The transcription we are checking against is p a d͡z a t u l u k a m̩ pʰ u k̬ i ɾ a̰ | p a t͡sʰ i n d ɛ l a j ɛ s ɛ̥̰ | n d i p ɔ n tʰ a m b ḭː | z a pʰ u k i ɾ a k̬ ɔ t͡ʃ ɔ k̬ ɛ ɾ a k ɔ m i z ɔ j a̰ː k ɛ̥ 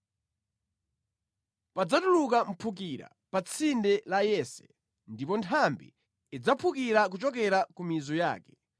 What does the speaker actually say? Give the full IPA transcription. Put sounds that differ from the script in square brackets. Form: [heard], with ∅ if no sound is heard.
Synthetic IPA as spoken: p a d͡z a t u l u k a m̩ pʰ u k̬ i ɾ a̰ | p a t͡sʰ i n d ɛ l a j ɛ s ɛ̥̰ | n d i p ɔ n tʰ a m b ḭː | [d͡z] a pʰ u k i ɾ a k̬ [u] t͡ʃ ɔ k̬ ɛ ɾ a k [u] m i z ɔ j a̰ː k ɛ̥

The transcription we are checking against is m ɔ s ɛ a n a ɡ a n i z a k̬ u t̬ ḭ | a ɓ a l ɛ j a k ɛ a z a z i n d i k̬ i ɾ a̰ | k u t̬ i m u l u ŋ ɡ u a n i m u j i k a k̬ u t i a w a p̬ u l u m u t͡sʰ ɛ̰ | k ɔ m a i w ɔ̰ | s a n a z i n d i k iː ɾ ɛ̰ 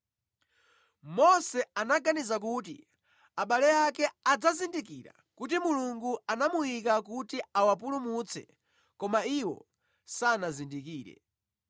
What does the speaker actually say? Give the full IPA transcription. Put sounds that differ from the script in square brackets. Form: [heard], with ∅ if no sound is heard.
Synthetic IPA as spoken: m ɔ s ɛ a n a ɡ a n i z a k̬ u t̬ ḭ | a ɓ a l ɛ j a k ɛ a [d͡z] a z i n d i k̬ i ɾ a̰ | k u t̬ i m u l u ŋ ɡ u a n [a] m u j i k a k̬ u t i a w a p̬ u l u m u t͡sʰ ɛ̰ | k ɔ m a i w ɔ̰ | s a n a z i n d i k iː ɾ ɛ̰

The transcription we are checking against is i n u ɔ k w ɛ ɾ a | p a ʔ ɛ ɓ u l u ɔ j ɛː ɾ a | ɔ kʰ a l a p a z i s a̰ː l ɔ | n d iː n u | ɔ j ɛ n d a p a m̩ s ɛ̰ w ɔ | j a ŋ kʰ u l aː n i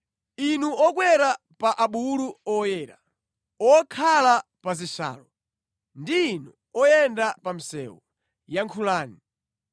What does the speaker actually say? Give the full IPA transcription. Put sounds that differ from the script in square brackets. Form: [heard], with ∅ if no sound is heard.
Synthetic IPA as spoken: i n u ɔ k w ɛ ɾ a | p a ʔ [a] ɓ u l u ɔ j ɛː ɾ a | ɔ kʰ a l a p a z i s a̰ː l ɔ | n d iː n u | ɔ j ɛ n d a p a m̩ s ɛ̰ w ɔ | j a ŋ kʰ u l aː n i

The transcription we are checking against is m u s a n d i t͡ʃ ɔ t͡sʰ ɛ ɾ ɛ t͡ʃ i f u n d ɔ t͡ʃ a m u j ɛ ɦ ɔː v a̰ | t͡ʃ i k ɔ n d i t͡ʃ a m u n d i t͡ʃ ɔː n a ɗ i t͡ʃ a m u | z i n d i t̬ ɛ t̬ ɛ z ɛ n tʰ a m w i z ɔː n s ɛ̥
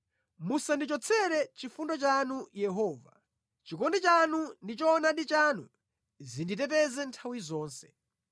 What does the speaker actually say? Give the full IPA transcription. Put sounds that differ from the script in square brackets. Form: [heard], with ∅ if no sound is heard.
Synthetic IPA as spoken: m u s a n d i t͡ʃ ɔ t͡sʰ ɛ ɾ ɛ t͡ʃ i f u n d ɔ t͡ʃ a [n] u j ɛ ɦ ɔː v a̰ | t͡ʃ i k ɔ n d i t͡ʃ a [n] u n d i t͡ʃ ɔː n a ɗ i t͡ʃ a [n] u | z i n d i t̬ ɛ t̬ ɛ z ɛ n tʰ a [∅] w i z ɔː n s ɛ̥

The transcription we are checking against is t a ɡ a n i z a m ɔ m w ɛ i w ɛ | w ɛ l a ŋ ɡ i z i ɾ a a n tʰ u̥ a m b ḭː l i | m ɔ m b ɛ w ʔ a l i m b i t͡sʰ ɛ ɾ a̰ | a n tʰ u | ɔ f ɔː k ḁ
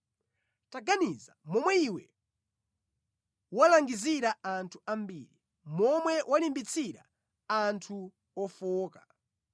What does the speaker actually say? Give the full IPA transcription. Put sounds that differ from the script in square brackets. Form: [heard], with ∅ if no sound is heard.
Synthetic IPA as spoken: t a ɡ a n i z a m ɔ m w ɛ i w ɛ | w [a] l a ŋ ɡ i z i ɾ a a n tʰ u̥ a m b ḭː [ɾ] i | m ɔ m [w] ɛ w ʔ a l i m b i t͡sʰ [i] ɾ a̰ | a n tʰ u | ɔ f ɔː k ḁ

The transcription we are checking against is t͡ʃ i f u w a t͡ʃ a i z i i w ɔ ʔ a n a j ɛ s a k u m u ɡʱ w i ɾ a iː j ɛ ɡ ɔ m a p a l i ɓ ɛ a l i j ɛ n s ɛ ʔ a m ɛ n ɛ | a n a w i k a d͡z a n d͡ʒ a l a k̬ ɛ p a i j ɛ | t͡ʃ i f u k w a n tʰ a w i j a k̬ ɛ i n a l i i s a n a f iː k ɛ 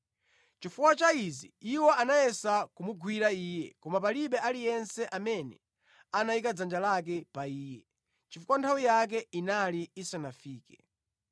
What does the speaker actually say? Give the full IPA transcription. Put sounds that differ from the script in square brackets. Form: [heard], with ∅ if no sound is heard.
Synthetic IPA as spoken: t͡ʃ i f u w a t͡ʃ a i z i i w ɔ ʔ a n a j ɛ s a k u m u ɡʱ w i ɾ a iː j ɛ [k] ɔ m a p a l i ɓ ɛ a l i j ɛ n s ɛ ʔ a m ɛ n ɛ | a n a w i k a d͡z a n d͡ʒ a l a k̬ ɛ p a [iː] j ɛ | t͡ʃ i f u k w a n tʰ a w i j a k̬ ɛ i n a l i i s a n a f iː k ɛ

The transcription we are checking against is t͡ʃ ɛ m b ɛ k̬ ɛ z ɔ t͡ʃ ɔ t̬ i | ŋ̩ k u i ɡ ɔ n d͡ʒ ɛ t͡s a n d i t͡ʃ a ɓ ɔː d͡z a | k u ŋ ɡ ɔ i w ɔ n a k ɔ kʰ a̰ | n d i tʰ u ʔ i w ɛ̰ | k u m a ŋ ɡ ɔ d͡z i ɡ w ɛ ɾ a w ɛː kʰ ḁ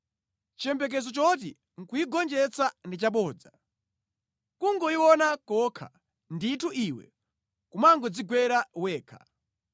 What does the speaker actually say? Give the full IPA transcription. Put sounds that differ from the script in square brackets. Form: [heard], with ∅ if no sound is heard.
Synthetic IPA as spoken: t͡ʃ ɛ m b ɛ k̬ ɛ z ɔ t͡ʃ ɔ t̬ i | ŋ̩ k u i ɡ ɔ n d͡ʒ ɛ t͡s a n d i t͡ʃ a ɓ ɔː d͡z a | k u ŋ ɡ ɔ i w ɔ n a k ɔ kʰ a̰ | n d i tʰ u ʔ i w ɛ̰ | k u m a ŋ ɡ ɔ d͡z i ɡ w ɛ ɾ a w ɛː kʰ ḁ

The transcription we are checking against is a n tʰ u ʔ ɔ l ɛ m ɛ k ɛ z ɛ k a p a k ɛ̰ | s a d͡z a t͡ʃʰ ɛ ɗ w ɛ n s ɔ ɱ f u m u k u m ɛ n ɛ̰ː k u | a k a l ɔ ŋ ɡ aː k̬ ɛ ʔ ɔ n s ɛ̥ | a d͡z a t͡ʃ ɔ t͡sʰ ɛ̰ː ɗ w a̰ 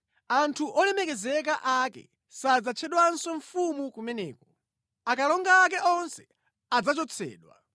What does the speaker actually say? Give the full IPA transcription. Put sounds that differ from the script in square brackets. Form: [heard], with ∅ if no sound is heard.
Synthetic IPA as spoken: a n tʰ u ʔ ɔ l ɛ m ɛ k ɛ z ɛ k a [ʔ] a k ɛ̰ | s a d͡z a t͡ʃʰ ɛ ɗ w [a] n s ɔ ɱ f u m u k u m ɛ n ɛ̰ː k [ɔ] | a k a l ɔ ŋ ɡ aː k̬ ɛ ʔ ɔ n s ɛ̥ | a d͡z a t͡ʃ ɔ t͡sʰ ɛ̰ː ɗ w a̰

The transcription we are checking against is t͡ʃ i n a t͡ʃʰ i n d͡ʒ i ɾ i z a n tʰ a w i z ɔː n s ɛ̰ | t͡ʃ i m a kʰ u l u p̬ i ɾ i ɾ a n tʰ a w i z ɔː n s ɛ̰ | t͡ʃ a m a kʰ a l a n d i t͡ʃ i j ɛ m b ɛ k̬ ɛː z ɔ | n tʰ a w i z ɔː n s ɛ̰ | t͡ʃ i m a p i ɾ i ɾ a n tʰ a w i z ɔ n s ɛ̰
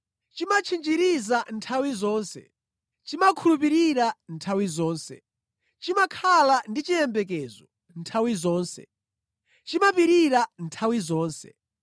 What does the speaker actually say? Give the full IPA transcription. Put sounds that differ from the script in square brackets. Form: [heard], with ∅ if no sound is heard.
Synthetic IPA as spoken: t͡ʃ i [m] a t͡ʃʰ i n d͡ʒ i ɾ i z a n tʰ a w i z ɔː n s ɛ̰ | t͡ʃ i m a kʰ u l u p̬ i ɾ i ɾ a n tʰ a w i z ɔː n s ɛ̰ | t͡ʃ [i] m a kʰ a l a n d i t͡ʃ i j ɛ m b ɛ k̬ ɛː z ɔ | n tʰ a w i z ɔː n s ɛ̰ | t͡ʃ i m a p i ɾ i ɾ a n tʰ a w i z [ɔː] n s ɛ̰

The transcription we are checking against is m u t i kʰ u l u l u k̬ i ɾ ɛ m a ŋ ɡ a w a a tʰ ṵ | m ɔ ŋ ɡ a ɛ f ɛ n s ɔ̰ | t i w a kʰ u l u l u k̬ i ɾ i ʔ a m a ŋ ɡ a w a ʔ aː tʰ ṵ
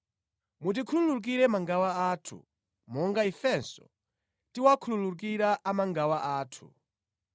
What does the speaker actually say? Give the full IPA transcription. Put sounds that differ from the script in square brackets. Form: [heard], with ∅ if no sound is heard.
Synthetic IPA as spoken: m u t i kʰ u l u l u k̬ i ɾ ɛ m a ŋ ɡ a w a a tʰ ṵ | m ɔ ŋ ɡ a [i] f ɛ n s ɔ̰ | t i w a kʰ u l u l u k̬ i ɾ [a] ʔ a m a ŋ ɡ a w a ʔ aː tʰ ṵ

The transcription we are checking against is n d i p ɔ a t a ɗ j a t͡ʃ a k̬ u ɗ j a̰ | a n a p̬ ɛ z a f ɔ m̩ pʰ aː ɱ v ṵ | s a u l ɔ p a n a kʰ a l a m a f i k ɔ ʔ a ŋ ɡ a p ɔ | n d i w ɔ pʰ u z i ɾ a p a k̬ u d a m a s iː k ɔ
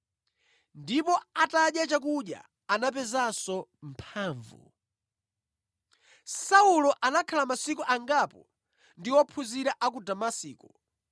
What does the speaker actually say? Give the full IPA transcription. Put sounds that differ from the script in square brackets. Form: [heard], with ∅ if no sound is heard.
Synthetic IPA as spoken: n d i p ɔ a t a ɗ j a t͡ʃ a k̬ u ɗ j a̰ | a n a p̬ ɛ z a [s] ɔ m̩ pʰ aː ɱ v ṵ | s a u l ɔ [ʔ] a n a kʰ a l a m a [s] i k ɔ ʔ a ŋ ɡ a p ɔ | n d i w ɔ pʰ u z i ɾ a [ʔ] a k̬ u d a m a s iː k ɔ

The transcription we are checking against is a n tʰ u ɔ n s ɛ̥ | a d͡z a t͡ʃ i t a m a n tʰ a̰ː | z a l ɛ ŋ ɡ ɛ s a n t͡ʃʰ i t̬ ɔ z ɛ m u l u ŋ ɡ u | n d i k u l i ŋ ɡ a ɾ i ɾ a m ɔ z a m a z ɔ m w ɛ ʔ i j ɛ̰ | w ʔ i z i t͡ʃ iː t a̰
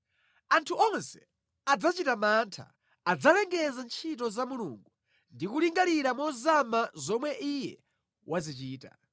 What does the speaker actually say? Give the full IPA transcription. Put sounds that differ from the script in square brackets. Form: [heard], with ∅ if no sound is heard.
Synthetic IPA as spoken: a n tʰ u ɔ n s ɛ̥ | a d͡z a t͡ʃ i t a m a n tʰ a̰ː | [d͡z] a l ɛ ŋ ɡ ɛ [z] a n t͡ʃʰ i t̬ ɔ z [a] m u l u ŋ ɡ u | n d i k u l i ŋ ɡ a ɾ i ɾ a m ɔ z a m a z ɔ m w ɛ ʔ i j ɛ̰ | w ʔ [a] z i t͡ʃ iː t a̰

